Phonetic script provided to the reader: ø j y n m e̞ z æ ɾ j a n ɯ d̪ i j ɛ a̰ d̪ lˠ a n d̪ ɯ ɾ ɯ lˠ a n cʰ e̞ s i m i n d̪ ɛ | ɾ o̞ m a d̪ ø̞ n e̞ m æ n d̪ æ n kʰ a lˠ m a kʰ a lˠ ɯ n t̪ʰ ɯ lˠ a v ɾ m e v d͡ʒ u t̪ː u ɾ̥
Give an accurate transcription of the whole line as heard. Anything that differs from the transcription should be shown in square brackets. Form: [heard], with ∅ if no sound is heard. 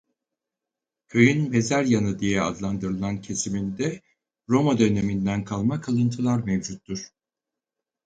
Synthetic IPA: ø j y n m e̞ z æ ɾ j a n ɯ d̪ i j ɛ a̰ d̪ lˠ a n d̪ ɯ ɾ ɯ lˠ a n cʰ e̞ s i m i n d̪ ɛ | ɾ o̞ m a d̪ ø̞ n e̞ m [i] n d̪ æ n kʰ a lˠ m a kʰ a lˠ ɯ n t̪ʰ ɯ lˠ a [∅] ɾ m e v d͡ʒ u t̪ː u ɾ̥